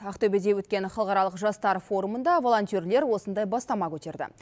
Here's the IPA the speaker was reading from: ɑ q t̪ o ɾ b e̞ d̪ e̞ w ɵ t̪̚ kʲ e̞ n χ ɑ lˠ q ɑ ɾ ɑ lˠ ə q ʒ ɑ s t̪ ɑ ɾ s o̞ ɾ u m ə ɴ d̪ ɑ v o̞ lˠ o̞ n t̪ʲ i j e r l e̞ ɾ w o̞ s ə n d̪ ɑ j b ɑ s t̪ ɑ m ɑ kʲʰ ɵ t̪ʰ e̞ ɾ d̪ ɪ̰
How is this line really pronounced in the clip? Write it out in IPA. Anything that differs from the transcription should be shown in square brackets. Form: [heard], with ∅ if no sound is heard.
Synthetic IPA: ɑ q t̪ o [∅] b e̞ d̪ e̞ w ɵ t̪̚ kʲ e̞ n χ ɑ lˠ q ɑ ɾ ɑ lˠ ə q ʒ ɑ s t̪ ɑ ɾ [f] o̞ ɾ u m ə [n] d̪ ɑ v o̞ lˠ o̞ n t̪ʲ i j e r l e̞ ɾ w o̞ s ə n d̪ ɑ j b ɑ s t̪ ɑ m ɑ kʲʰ ɵ [t̪] e̞ ɾ d̪ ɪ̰